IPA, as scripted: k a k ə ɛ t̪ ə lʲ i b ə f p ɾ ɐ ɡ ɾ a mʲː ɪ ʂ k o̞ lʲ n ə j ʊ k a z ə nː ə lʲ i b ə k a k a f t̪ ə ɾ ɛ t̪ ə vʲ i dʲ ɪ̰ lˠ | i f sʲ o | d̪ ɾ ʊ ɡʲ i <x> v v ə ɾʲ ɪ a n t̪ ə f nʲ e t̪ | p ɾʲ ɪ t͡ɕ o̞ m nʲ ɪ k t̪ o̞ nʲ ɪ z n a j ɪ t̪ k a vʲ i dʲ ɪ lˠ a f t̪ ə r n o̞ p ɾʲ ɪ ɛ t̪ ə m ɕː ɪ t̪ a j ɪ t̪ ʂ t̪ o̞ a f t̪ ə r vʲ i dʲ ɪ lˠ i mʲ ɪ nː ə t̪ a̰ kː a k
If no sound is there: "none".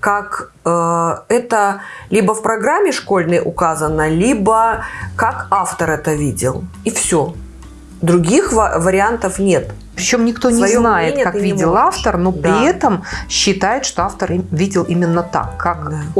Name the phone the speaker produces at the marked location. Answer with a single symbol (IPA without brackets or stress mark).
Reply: x